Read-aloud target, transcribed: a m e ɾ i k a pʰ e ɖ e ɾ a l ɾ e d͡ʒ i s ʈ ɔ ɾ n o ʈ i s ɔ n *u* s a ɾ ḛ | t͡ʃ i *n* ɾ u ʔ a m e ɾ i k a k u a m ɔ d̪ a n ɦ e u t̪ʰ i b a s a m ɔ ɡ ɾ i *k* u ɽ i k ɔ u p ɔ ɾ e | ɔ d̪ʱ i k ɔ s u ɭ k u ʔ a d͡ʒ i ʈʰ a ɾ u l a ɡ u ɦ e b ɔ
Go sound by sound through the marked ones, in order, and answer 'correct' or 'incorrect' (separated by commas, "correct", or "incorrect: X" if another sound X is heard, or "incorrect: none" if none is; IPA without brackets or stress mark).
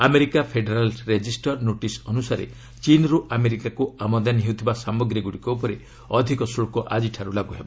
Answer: correct, correct, incorrect: ɡ